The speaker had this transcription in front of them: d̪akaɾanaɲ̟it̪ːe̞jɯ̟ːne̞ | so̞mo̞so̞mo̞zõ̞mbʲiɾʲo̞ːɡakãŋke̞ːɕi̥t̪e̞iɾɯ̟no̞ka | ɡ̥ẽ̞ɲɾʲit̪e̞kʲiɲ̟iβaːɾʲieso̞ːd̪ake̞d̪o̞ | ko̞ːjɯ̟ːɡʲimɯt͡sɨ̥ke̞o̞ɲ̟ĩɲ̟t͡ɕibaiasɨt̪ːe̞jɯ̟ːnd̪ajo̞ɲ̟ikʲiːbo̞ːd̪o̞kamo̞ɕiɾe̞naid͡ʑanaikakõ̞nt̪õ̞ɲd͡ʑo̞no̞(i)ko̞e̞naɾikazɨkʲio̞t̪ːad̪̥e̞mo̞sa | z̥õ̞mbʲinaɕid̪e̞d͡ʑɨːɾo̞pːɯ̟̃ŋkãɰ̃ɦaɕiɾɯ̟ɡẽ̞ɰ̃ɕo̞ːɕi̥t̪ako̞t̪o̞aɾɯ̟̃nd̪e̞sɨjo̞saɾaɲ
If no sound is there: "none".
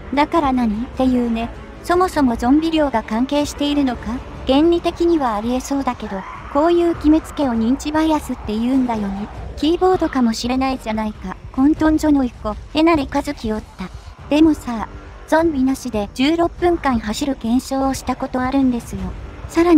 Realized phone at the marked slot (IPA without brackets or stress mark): i